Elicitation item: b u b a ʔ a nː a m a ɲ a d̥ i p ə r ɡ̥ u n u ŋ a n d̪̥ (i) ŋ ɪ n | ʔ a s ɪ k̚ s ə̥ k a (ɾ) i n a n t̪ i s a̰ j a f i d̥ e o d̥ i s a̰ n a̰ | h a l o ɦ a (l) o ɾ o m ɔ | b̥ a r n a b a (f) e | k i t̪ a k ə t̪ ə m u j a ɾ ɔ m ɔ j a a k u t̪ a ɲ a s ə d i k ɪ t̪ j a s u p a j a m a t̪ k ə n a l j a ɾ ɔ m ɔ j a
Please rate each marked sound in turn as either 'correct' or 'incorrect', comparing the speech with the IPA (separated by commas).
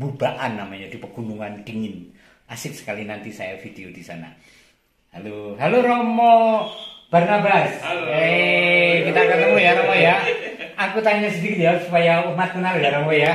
correct, incorrect, correct, incorrect